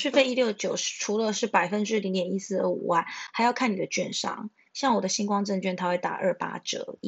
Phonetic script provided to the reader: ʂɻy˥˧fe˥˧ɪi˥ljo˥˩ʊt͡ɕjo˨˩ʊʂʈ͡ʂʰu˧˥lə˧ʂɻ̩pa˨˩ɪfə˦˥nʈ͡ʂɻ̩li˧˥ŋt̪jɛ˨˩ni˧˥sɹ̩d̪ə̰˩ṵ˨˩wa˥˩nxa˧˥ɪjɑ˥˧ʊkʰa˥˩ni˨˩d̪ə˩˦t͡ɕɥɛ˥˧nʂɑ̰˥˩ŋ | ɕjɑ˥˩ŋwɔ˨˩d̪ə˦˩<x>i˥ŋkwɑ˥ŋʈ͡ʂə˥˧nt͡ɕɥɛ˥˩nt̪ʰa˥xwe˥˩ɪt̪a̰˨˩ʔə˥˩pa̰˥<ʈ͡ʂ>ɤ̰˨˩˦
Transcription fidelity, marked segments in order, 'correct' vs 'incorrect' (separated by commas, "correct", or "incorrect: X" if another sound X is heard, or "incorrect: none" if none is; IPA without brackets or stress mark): incorrect: ɕ, correct